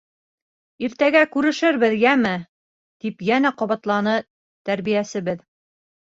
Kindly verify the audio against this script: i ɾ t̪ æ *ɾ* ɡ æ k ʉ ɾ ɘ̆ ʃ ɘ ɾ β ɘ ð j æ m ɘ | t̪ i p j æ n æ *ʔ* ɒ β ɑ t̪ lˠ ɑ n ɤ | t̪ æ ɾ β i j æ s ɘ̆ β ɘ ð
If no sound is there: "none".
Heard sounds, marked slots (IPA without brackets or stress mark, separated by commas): none, q